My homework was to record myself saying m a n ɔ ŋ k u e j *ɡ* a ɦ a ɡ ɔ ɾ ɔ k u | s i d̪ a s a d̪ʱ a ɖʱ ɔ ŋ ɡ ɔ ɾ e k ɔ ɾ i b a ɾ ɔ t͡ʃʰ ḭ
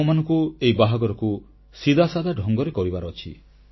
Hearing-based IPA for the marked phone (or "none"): b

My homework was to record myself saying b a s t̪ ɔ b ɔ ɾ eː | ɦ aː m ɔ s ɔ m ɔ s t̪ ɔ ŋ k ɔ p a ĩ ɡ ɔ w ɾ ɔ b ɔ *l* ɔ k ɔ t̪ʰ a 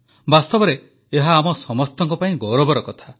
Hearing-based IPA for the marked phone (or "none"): ɾ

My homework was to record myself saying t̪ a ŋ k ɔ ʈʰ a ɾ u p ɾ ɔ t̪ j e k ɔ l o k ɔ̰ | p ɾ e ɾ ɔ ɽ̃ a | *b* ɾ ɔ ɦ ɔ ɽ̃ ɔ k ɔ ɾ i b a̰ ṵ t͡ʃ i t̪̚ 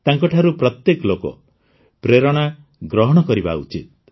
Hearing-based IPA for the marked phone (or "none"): ɡ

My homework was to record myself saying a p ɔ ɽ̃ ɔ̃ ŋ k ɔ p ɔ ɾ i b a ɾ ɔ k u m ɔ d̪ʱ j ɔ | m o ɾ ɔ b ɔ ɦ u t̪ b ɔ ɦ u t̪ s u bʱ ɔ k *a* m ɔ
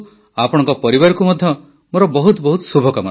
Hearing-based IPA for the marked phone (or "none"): a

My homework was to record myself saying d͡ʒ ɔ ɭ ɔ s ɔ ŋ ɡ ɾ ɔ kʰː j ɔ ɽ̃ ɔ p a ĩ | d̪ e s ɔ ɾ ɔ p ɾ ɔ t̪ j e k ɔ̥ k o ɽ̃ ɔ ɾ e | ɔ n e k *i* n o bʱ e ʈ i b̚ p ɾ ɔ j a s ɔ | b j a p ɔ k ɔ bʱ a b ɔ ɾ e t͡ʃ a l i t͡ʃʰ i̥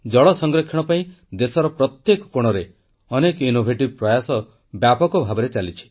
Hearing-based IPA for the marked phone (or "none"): i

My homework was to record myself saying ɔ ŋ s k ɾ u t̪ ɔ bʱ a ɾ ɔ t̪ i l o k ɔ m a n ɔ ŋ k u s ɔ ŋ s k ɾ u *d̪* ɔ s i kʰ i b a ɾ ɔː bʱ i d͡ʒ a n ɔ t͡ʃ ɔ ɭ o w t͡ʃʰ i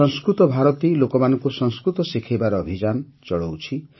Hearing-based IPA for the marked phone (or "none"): t̪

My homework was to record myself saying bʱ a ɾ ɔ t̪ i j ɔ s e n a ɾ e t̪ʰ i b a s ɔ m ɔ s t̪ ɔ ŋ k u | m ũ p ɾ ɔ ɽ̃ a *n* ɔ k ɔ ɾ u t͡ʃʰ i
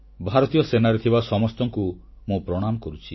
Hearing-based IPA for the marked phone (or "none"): m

